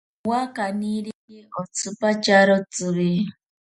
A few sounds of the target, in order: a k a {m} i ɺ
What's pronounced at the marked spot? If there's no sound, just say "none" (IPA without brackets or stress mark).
n